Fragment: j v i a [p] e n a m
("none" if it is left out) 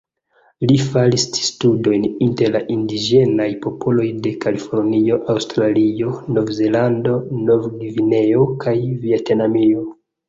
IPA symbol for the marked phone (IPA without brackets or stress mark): t